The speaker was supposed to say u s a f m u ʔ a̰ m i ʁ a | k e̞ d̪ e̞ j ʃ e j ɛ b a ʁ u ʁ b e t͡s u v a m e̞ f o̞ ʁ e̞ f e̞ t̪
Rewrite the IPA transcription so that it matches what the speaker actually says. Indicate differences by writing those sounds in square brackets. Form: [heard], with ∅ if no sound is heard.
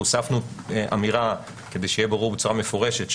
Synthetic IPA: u s a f [n] u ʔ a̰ m i ʁ a | k e̞ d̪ e̞ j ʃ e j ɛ b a ʁ u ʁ b e t͡s u [ʁ] a m e̞ f o̞ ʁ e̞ [ʃ] e̞ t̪